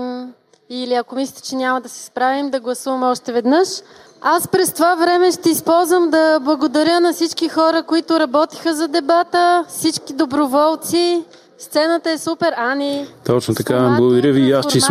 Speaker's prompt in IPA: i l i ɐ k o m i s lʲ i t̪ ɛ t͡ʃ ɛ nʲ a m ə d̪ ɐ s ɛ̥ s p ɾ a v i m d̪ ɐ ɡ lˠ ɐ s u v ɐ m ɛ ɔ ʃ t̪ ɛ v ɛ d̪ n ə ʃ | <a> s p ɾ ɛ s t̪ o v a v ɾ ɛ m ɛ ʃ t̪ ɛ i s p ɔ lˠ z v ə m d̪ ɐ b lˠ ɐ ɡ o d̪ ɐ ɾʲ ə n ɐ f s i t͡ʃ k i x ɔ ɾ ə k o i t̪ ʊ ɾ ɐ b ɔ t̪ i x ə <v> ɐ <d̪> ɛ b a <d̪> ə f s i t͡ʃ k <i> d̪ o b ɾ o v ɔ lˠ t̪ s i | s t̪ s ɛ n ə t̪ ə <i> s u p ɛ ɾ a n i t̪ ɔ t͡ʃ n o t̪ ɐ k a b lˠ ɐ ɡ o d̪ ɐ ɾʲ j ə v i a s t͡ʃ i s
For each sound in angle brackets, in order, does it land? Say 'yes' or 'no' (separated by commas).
yes, no, yes, no, yes, no